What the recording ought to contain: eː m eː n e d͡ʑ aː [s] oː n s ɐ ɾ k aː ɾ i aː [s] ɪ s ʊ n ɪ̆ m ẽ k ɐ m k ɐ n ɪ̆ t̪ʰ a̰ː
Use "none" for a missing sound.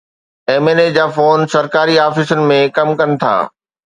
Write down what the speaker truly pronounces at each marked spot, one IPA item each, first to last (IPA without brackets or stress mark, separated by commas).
f, f